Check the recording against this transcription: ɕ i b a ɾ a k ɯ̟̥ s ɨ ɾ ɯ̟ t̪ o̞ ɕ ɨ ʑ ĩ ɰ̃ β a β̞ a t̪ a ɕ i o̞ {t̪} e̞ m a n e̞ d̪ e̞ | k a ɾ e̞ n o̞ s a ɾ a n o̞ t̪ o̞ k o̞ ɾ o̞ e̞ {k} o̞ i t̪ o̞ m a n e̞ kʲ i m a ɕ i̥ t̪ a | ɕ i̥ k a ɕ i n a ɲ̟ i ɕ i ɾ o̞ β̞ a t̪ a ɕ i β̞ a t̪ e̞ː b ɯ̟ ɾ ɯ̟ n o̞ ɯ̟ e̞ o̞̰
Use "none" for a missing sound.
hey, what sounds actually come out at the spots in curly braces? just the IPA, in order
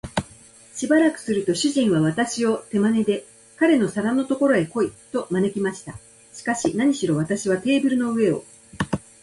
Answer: t̪, k

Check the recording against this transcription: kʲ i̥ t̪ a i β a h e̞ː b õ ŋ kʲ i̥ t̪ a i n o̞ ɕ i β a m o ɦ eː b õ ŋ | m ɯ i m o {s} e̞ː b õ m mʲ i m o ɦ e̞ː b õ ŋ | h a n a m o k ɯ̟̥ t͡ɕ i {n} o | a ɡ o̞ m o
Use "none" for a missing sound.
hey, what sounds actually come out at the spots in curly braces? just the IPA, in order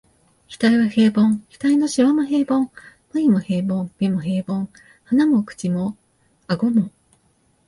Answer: h, m

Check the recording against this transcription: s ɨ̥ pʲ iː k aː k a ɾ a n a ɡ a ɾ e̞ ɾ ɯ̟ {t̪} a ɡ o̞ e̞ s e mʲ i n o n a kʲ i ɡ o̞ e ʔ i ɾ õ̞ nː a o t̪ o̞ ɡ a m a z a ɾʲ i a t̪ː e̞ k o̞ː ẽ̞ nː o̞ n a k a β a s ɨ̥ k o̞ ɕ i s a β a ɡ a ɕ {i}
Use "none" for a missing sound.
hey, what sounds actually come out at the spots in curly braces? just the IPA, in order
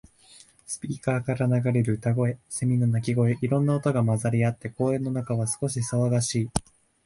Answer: t̪, iː

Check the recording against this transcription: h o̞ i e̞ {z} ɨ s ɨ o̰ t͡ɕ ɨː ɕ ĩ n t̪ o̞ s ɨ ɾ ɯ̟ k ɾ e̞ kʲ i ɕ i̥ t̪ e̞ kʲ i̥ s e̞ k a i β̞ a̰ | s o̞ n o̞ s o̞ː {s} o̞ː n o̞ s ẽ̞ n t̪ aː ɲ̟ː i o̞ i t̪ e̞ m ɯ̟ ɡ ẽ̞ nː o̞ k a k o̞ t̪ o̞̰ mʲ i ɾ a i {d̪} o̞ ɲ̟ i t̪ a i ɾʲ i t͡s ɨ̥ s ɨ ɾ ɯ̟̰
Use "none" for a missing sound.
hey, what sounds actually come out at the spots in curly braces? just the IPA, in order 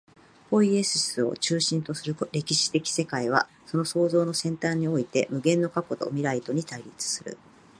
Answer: s, z, t̪

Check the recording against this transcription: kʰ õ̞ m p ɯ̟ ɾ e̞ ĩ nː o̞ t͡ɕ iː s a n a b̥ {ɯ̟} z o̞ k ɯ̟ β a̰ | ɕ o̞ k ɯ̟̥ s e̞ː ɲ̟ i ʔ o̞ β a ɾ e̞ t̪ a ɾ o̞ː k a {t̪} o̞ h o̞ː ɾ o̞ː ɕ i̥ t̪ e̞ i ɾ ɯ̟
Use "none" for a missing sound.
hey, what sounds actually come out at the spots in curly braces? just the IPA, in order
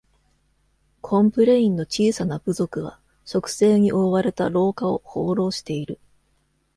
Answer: ɯ̟, none

